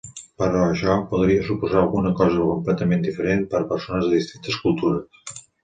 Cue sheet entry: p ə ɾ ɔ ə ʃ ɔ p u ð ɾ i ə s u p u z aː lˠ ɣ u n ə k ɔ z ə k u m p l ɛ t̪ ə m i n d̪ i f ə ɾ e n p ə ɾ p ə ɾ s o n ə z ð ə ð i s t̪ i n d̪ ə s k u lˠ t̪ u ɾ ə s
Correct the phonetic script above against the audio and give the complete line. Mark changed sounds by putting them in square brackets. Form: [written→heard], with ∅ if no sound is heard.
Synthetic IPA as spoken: p ə ɾ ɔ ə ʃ ɔ p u ð ɾ i ə s u p u z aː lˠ ɣ u n ə k ɔ z ə k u m p l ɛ t̪ ə m [i→e] n d̪ i f ə ɾ e n p ə ɾ p ə ɾ s o n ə z ð ə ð i s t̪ i n [d̪→t̪] ə s k u lˠ t̪ u ɾ ə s